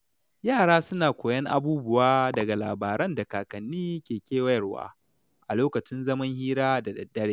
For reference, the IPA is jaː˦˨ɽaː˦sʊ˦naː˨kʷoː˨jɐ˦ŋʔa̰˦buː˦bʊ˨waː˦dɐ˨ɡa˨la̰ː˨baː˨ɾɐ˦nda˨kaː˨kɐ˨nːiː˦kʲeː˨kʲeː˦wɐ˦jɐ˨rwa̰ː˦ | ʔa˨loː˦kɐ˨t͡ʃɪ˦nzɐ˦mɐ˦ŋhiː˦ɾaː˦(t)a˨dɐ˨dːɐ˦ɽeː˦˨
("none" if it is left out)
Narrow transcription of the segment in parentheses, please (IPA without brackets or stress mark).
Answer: d